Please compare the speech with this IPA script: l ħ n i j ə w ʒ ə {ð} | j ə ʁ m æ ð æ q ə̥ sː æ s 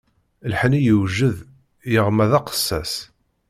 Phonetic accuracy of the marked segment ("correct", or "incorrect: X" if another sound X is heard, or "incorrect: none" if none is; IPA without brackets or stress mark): correct